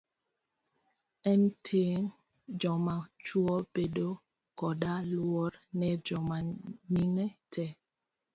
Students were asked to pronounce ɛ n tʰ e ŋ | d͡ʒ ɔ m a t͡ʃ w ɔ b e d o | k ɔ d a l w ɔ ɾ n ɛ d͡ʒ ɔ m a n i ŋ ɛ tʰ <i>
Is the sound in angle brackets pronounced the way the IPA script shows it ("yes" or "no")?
no